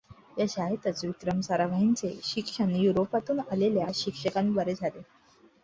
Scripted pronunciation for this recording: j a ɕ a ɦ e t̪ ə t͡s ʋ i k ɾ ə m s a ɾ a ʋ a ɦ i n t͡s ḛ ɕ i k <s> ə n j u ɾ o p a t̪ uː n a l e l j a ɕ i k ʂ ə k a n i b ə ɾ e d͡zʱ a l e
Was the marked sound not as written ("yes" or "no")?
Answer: yes